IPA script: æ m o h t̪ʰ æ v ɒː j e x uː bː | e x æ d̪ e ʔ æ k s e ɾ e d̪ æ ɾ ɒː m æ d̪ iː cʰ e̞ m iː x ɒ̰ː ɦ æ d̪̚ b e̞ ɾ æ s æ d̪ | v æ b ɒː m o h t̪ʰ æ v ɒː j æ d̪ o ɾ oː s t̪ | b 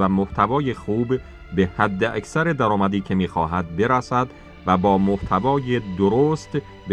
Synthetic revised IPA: æ m o h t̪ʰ æ v ɒː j e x uː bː | e h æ d̪ː e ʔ æ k s æ ɾ e d̪ æ ɾ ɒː m æ d̪ iː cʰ e̞ m iː x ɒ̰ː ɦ æ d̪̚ b e̞ ɾ æ s æ d̪ | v æ b ɒː m o h t̪ʰ æ v ɒː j e d̪ o ɾ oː s t̪ | b

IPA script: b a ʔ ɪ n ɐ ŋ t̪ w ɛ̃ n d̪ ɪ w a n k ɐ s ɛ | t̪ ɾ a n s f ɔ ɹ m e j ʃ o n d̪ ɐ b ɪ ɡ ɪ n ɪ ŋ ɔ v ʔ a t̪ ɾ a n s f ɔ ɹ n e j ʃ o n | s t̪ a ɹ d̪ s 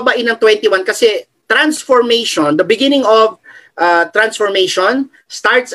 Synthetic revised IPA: b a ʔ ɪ n ɐ ŋ t̪ w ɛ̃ n t̪ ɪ w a n k ɐ s ɛ | t̪ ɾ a n s f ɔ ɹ m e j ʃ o n d̪ ɐ b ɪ ɡ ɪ n ɪ ŋ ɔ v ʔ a t̪ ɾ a n s f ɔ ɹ m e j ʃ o n | s t̪ a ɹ t̪ s

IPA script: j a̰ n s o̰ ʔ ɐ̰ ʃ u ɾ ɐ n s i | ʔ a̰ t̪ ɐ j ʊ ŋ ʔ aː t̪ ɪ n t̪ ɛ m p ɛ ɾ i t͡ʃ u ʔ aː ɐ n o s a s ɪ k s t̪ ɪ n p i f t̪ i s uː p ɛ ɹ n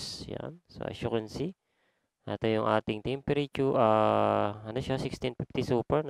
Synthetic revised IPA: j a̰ n s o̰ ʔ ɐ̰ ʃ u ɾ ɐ n s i | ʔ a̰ t̪ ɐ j ʊ ŋ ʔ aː t̪ ɪ ŋ t̪ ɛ m p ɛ ɾ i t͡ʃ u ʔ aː ɐ n o ʃ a s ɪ k s t̪ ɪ n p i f t̪ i s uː p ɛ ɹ n

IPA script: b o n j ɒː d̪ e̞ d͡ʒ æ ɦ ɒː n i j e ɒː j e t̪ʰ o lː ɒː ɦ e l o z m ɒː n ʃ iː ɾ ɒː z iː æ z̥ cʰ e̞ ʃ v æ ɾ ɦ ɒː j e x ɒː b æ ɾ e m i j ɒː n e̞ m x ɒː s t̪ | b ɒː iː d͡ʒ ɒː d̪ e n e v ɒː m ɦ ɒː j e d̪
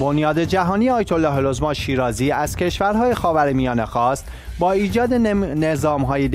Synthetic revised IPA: b o n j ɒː d̪ e̞ d͡ʒ æ ɦ ɒː n i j e ɒː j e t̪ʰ o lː ɒː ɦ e l o z m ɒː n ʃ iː ɾ ɒː z iː æ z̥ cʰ e̞ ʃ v æ ɾ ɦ ɒː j e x ɒː v æ ɾ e m i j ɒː n e̞ x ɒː s t̪ | b ɒː iː d͡ʒ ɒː d̪ e n e z ɒː m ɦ ɒː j e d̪

